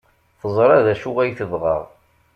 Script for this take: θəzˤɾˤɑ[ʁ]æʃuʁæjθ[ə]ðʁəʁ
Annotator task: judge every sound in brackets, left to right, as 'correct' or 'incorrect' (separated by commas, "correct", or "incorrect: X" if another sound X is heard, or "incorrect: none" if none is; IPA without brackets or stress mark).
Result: incorrect: ð, correct